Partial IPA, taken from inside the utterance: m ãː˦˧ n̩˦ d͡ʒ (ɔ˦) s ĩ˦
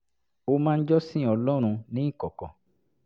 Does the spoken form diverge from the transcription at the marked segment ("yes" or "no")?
no